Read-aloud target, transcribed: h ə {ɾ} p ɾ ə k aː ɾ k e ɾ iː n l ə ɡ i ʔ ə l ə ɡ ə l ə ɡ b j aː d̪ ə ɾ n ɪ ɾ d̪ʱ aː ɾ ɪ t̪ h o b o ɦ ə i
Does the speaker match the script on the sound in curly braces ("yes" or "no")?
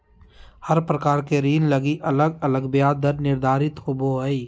yes